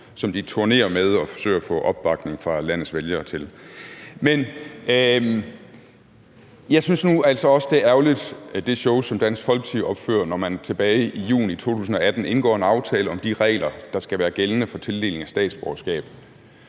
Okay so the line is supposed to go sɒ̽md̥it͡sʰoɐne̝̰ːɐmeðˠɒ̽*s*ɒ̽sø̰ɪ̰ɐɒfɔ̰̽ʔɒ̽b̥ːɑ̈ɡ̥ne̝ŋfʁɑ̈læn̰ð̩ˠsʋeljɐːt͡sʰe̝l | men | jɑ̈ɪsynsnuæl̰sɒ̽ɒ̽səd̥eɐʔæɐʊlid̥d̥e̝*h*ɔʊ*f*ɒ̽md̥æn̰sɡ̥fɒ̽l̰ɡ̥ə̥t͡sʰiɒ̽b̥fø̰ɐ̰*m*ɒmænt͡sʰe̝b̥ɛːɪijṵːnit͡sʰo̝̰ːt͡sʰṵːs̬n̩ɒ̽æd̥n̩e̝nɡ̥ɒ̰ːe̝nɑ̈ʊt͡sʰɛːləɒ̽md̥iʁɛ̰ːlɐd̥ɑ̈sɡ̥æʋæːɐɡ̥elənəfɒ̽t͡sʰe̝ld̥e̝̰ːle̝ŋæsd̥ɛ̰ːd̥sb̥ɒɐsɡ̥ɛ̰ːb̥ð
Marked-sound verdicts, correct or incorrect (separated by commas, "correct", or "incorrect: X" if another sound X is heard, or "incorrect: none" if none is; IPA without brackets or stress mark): incorrect: f, incorrect: ɕ, incorrect: s, incorrect: n